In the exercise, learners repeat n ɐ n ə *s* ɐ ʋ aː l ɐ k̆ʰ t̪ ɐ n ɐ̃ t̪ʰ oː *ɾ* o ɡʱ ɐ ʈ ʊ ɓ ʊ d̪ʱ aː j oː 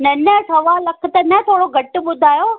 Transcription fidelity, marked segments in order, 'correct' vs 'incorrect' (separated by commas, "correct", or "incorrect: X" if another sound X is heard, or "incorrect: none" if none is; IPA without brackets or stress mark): correct, incorrect: ɽ